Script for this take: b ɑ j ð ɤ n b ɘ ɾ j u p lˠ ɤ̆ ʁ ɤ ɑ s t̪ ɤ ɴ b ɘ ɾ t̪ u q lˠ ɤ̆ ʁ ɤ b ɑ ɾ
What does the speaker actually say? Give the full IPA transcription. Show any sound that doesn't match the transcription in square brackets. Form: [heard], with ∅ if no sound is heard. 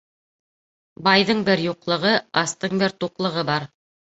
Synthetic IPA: b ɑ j ð ɤ [ɴ] b ɘ ɾ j u [q] lˠ ɤ̆ ʁ ɤ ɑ s t̪ ɤ ɴ b ɘ ɾ t̪ u q lˠ ɤ̆ ʁ ɤ b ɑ ɾ